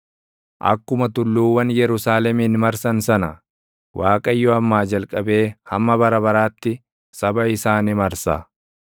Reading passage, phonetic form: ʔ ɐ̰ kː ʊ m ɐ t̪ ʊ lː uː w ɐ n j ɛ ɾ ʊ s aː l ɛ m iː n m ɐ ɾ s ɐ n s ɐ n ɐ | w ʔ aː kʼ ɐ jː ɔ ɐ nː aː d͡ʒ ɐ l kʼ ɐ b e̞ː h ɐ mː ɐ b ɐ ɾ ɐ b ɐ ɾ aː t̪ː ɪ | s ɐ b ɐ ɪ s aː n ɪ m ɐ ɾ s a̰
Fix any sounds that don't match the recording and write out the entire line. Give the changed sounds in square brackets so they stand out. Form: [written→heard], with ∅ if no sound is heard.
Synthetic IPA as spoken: ʔ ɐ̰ kː ʊ m ɐ t̪ ʊ lː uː w ɐ n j ɛ ɾ ʊ s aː l ɛ m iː n m ɐ ɾ s ɐ n s ɐ n ɐ | w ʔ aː kʼ ɐ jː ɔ ɐ [nː→mː] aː d͡ʒ ɐ l kʼ ɐ b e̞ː h ɐ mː ɐ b ɐ ɾ ɐ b ɐ ɾ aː t̪ː ɪ | s ɐ b ɐ ɪ s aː n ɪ m ɐ ɾ s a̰